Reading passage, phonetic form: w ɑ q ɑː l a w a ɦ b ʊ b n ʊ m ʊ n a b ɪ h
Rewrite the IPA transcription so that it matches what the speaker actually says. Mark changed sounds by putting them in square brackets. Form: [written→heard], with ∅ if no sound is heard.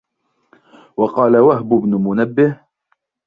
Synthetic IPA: w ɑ q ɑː l a w a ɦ b ʊ b n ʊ m ʊ n a [b→bː] ɪ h